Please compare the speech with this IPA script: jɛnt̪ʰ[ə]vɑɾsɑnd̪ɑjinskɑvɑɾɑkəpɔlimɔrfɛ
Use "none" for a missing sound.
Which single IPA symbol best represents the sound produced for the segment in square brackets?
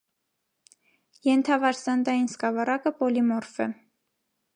ɑ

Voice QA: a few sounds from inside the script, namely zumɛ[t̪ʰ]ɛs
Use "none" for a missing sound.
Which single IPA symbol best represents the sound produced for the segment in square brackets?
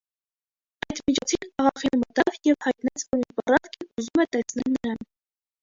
t̪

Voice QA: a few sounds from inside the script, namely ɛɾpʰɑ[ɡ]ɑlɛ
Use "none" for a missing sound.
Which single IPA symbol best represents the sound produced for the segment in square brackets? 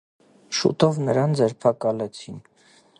k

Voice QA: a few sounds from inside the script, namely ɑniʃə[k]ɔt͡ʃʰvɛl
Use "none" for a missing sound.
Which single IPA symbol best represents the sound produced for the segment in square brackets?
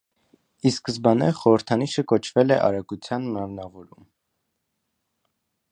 k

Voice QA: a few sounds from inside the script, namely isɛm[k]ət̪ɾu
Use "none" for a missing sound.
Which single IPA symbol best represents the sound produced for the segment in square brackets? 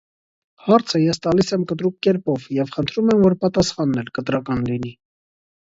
k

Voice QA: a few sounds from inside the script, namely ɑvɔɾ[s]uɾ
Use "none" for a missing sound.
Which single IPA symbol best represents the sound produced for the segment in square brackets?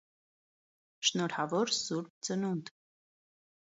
s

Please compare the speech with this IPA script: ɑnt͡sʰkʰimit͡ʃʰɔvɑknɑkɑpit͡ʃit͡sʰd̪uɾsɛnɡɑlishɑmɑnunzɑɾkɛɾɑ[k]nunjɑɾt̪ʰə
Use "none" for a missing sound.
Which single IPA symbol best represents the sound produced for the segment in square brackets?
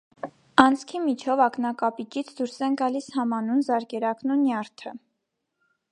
k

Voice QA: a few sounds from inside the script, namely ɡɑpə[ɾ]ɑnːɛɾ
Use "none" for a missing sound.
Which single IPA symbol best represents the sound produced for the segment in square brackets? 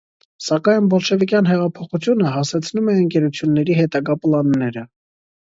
l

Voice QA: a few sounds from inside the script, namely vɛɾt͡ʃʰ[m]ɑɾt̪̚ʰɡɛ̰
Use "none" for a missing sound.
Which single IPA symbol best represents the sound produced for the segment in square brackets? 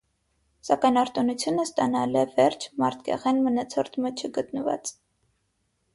m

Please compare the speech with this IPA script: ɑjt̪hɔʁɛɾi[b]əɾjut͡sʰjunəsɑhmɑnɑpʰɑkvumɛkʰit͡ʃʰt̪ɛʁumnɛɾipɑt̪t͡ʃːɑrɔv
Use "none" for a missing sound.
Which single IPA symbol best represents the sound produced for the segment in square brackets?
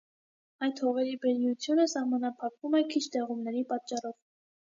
b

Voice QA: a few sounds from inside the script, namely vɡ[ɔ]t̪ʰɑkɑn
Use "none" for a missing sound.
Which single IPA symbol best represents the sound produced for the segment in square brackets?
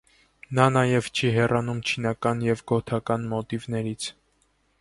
ɔ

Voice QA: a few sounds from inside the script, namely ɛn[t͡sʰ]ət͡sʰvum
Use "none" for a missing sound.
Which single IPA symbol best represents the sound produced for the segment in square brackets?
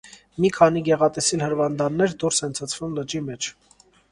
t͡sʰ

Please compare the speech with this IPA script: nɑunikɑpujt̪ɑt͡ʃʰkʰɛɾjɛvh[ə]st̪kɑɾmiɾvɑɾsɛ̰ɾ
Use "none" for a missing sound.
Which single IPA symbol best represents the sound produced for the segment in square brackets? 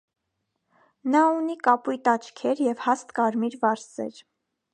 ɑ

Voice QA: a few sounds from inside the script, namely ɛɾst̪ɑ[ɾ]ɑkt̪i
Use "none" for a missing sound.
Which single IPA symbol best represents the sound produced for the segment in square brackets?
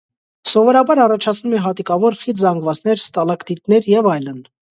l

